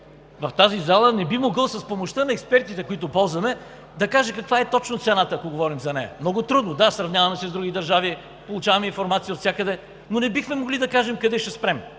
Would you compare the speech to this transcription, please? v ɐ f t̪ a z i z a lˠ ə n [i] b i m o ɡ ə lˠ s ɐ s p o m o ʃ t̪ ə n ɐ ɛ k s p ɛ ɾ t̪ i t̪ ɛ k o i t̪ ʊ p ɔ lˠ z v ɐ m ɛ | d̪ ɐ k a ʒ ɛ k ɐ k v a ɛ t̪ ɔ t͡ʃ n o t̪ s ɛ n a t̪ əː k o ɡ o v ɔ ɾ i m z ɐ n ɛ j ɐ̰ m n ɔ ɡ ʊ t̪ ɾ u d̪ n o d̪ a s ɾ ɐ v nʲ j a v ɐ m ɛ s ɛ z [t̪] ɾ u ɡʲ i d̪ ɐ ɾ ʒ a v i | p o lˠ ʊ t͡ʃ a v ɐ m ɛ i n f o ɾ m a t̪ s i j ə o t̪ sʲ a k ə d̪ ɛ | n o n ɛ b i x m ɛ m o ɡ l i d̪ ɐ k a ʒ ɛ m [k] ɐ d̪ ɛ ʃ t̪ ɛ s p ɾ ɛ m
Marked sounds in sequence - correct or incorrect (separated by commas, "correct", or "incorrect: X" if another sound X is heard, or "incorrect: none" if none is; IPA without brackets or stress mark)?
incorrect: ɛ, incorrect: d̪, correct